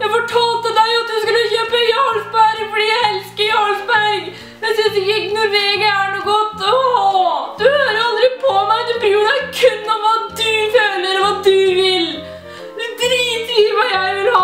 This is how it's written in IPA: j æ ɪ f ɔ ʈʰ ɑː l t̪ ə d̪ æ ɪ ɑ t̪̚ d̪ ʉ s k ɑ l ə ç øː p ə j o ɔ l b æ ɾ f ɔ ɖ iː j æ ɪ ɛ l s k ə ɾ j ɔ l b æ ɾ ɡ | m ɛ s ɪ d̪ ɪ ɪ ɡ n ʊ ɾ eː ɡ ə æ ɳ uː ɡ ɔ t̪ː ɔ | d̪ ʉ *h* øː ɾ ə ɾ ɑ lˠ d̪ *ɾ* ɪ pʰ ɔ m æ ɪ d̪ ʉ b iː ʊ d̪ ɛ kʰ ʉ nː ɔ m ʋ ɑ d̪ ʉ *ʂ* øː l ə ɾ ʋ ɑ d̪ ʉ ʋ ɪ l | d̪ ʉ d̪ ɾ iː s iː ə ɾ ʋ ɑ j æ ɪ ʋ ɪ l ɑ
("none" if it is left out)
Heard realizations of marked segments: h, ɾ, f

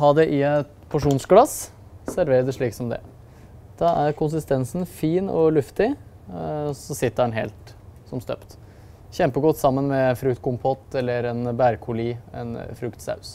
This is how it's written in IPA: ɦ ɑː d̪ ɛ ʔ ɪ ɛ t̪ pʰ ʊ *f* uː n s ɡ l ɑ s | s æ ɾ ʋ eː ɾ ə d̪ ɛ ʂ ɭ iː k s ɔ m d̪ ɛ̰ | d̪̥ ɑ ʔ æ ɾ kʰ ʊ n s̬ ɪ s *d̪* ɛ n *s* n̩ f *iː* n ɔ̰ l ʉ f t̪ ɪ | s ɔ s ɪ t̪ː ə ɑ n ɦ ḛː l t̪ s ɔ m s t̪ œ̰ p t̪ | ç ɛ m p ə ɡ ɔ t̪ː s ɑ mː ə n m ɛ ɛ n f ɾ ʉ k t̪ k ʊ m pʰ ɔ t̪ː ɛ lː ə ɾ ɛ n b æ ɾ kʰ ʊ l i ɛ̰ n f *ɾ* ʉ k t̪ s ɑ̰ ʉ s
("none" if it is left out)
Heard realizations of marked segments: ʂ, t̪, s, iː, ɾ

